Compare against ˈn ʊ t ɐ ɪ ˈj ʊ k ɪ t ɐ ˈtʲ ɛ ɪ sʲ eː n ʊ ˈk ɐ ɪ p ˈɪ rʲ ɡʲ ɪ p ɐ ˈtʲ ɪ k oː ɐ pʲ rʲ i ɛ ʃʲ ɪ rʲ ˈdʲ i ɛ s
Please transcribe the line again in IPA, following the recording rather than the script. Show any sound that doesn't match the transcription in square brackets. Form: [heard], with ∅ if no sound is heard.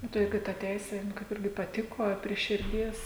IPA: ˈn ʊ t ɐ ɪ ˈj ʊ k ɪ t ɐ ˈtʲ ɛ ɪ sʲ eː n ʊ ˈk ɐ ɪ p ˈɪ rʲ ɡʲ ɪ p ɐ ˈtʲ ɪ k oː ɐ pʲ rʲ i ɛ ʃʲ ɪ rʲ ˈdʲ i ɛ s